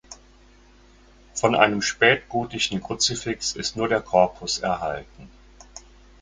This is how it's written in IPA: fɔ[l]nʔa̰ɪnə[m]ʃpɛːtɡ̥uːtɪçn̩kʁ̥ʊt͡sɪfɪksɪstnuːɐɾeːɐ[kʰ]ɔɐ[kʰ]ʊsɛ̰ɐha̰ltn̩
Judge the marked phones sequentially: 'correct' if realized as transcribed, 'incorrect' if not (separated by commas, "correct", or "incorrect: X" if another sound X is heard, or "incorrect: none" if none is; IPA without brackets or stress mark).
incorrect: none, correct, correct, incorrect: pʰ